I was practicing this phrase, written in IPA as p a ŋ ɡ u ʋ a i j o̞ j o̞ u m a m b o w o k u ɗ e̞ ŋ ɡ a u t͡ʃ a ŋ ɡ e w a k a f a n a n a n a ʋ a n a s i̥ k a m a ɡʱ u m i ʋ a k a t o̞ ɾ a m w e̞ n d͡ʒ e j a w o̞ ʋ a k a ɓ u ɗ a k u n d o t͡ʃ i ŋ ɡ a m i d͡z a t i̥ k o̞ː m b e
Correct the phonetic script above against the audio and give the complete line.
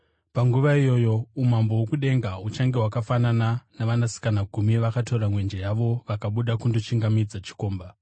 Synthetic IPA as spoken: p a ŋ ɡ u ʋ a i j o̞ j o̞ u m a m b o w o k u ɗ e̞ ŋ ɡ a u t͡ʃ a ŋ ɡ e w a k a f a n a n a n a ʋ a n a s i̥ k a n a ɡʱ u m i ʋ a k a t o̞ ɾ a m w e̞ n d͡ʒ e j a ʋ o̞ ʋ a k a ɓ u ɗ a k u n d o t͡ʃ i ŋ ɡ a m i d͡z a t͡ʃ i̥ k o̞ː m b a